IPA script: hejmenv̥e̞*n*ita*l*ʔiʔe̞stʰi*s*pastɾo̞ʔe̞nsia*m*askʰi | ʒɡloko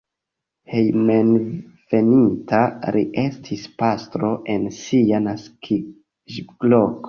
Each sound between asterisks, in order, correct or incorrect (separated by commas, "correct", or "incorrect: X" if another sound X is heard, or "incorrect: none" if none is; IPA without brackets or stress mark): correct, incorrect: ɾ, correct, incorrect: n